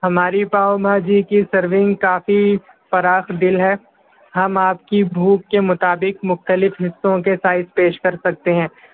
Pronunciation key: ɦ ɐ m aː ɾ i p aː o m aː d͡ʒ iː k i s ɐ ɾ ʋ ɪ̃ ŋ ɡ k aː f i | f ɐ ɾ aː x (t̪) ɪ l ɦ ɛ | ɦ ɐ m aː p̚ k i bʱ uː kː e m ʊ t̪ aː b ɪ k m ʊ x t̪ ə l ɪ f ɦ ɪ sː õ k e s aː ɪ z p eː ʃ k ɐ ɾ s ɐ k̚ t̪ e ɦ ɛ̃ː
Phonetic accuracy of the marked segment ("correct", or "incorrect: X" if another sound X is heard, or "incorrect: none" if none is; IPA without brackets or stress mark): incorrect: d̪